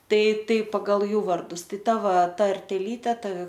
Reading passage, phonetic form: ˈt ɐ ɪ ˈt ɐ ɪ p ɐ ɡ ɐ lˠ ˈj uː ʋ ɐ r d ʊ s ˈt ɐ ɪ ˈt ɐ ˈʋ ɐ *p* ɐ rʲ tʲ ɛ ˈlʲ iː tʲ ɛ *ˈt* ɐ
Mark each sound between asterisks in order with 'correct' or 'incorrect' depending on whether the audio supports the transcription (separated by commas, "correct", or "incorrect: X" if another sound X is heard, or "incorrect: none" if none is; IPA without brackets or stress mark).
incorrect: t, correct